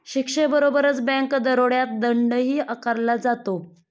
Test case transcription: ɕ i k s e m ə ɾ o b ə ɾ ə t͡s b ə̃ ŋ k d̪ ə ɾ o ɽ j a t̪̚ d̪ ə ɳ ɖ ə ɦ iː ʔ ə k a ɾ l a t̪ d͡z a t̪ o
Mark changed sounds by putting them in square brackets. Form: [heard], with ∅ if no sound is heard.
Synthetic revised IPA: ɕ i k [ʂ] e [b] ə ɾ o b ə ɾ ə t͡s b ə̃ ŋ k d̪ ə ɾ o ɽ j a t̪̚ d̪ ə ɳ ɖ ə ɦ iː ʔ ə k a ɾ l a [∅] d͡z a t̪ o